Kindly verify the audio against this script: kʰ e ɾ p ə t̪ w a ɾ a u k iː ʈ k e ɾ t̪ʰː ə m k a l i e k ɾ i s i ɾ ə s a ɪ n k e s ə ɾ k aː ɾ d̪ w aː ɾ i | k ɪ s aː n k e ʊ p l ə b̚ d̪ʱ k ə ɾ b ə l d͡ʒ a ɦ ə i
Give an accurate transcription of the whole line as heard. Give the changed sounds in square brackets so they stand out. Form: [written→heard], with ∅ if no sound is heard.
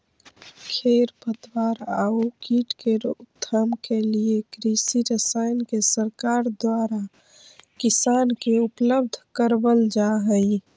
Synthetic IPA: kʰ e ɾ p ə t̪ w a ɾ a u k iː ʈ k e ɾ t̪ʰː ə m k [a→e] l i e k ɾ i s i ɾ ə s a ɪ n k e s ə ɾ k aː ɾ d̪ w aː ɾ [i→a] | k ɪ s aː n k e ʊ p l ə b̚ d̪ʱ k ə ɾ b ə l d͡ʒ a ɦ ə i